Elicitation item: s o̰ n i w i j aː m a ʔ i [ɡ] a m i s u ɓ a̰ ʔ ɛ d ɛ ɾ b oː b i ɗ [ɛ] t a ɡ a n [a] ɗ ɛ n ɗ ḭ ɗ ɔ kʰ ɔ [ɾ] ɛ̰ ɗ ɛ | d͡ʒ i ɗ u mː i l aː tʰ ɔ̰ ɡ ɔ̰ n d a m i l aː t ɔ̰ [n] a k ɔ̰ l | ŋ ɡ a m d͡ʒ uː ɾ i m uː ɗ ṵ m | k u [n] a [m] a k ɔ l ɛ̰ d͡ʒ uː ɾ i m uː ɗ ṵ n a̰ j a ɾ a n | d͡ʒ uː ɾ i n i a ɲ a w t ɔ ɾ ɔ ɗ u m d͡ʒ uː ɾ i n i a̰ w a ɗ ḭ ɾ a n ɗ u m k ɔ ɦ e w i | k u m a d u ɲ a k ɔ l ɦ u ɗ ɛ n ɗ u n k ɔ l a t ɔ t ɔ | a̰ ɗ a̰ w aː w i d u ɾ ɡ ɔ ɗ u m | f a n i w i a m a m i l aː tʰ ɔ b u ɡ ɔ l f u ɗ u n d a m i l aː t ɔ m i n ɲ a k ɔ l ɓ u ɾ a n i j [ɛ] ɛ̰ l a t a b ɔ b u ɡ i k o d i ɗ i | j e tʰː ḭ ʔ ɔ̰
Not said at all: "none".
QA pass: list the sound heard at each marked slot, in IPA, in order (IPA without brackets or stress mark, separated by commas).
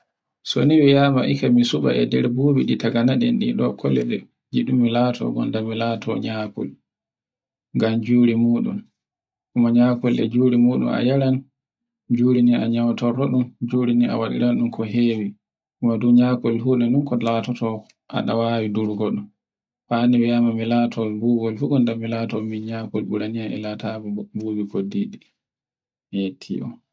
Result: k, i, a, l, ɲ, m, ɲ, a